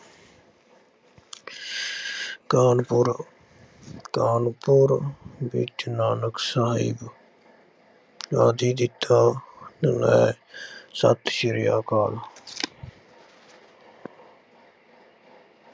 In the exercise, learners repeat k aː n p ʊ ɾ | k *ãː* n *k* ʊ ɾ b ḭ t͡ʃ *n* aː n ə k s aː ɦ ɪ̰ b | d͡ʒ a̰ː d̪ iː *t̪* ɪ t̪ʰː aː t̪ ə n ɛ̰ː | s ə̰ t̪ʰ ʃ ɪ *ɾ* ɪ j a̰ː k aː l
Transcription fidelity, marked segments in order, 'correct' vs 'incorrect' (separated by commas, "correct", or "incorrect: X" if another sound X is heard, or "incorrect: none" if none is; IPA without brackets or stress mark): incorrect: aː, incorrect: p, correct, incorrect: d̪, correct